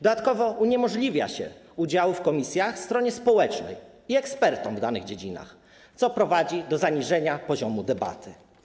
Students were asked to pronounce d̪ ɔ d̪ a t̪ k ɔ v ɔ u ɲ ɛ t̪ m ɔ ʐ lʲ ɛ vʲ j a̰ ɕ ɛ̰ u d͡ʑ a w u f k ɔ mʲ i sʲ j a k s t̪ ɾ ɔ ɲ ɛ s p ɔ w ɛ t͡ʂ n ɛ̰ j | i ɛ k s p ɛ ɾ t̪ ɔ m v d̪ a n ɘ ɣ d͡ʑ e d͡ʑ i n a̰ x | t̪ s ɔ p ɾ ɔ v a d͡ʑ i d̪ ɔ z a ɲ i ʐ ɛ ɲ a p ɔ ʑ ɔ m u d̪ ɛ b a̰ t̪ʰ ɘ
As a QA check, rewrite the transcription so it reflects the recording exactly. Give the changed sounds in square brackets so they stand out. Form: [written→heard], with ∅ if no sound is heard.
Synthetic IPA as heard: d̪ ɔ d̪ a t̪ k ɔ v ɔ u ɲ ɛ [t̪→∅] m ɔ ʐ lʲ [ɛ→i] vʲ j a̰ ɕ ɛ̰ u d͡ʑ a w u f k ɔ mʲ i sʲ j a [k→x] s t̪ ɾ ɔ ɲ ɛ s p ɔ w ɛ t͡ʂ n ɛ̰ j | i ɛ k s p ɛ ɾ t̪ ɔ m v d̪ a n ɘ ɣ d͡ʑ e d͡ʑ i n a̰ x | t̪ s ɔ p ɾ ɔ v a d͡ʑ i d̪ ɔ z a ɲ i ʐ ɛ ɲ a p ɔ ʑ ɔ m u d̪ ɛ b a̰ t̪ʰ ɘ